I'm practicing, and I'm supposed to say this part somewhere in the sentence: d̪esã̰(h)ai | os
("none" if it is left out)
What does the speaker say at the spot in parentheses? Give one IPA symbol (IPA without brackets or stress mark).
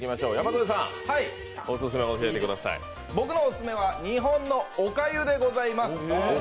h